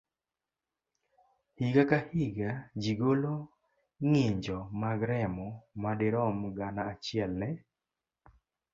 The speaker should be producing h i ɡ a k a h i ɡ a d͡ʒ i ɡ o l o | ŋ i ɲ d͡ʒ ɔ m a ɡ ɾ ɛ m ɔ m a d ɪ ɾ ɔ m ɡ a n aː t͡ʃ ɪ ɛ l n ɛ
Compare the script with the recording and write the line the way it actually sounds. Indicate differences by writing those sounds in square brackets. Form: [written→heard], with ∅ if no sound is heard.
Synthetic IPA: h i ɡ a k a h i ɡ a d͡ʒ i ɡ o l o | ŋ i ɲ d͡ʒ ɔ m a ɡ ɾ ɛ m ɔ m a d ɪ ɾ ɔ m ɡ a n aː t͡ʃ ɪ ɛ l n ɛ